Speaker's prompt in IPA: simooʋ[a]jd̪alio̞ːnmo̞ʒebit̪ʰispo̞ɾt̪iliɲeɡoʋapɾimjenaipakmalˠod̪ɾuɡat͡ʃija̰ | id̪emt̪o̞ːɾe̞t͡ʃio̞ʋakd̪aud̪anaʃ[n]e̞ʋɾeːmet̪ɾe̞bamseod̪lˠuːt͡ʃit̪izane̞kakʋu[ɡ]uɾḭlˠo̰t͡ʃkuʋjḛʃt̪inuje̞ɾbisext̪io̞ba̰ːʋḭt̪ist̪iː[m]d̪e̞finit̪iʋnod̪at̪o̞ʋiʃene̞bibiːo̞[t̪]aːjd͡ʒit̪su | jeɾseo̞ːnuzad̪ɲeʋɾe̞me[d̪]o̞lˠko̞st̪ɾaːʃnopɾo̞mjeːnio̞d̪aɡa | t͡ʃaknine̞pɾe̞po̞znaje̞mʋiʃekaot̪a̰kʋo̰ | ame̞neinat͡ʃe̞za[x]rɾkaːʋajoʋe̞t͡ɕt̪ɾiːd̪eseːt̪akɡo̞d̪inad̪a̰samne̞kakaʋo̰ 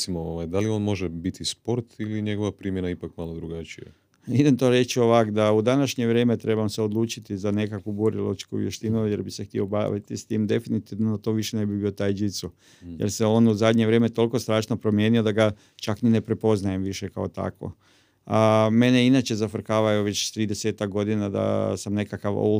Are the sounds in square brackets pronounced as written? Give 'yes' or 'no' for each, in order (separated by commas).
yes, no, no, yes, yes, no, no